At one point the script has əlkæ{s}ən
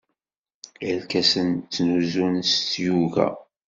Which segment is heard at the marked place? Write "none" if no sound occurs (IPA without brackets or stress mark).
s